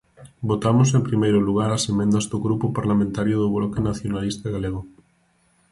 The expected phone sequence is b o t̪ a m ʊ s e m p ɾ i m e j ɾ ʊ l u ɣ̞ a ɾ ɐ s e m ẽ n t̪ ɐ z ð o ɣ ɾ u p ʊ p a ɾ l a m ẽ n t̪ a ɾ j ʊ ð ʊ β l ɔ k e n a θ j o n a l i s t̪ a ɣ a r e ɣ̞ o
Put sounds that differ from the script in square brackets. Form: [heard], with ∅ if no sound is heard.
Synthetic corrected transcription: b o t̪ a m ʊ s e m p ɾ i m e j ɾ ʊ l u ɣ̞ a ɾ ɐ s e m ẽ n [d̪] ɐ z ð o ɣ ɾ u p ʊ p a ɾ l a m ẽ n t̪ a ɾ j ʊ ð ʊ β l ɔ k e n a θ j o n a l i s t̪ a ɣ a [l] e ɣ̞ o

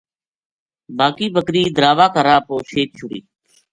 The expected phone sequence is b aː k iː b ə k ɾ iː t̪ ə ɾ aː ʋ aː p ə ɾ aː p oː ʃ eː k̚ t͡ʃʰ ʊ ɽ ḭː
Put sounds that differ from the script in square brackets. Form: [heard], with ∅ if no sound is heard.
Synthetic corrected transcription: b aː k iː b ə k ɾ iː [d̪] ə ɾ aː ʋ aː [k] ə ɾ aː p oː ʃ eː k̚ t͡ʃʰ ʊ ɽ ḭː

